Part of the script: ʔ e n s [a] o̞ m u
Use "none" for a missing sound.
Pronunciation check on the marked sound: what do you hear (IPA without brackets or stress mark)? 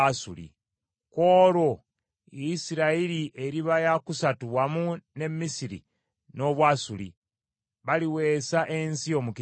i